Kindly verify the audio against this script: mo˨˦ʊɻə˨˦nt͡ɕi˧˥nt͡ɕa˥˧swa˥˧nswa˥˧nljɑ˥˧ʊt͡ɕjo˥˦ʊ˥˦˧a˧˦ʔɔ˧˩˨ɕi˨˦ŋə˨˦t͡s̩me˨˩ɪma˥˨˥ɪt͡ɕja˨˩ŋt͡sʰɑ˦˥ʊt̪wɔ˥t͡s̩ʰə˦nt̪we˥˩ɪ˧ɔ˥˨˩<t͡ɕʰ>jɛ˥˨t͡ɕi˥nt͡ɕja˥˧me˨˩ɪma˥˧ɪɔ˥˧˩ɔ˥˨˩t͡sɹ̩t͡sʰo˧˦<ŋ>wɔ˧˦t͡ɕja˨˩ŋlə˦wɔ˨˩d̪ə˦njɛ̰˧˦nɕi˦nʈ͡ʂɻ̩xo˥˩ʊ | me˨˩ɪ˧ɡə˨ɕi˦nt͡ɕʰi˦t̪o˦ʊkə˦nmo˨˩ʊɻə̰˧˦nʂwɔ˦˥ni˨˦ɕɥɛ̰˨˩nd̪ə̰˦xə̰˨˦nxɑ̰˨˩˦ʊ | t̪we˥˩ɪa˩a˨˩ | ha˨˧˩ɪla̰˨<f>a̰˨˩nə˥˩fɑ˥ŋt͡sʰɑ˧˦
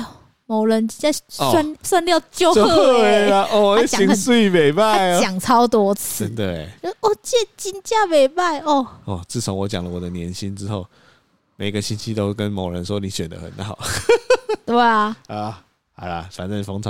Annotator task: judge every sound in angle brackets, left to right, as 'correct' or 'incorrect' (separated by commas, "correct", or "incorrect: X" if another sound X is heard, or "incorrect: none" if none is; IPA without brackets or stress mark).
incorrect: t͡ɕ, correct, correct